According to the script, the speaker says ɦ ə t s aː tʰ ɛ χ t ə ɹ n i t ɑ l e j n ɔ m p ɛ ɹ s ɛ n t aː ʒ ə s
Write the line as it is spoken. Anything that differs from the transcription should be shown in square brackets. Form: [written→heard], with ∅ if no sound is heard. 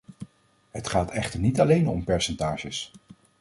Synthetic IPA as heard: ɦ ə t [s→χ] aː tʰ ɛ χ t ə ɹ n i t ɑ l e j n ɔ m p ɛ ɹ s ɛ n t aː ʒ ə s